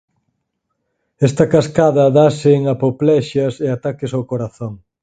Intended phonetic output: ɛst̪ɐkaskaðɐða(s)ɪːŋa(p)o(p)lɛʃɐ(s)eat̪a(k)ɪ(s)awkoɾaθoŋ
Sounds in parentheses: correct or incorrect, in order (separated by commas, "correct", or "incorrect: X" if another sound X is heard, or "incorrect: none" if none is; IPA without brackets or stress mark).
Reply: correct, correct, correct, correct, correct, correct